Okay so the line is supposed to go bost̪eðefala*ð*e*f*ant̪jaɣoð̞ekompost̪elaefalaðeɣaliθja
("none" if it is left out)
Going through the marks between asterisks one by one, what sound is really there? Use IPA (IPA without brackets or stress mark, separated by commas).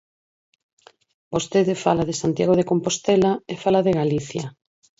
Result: ð, s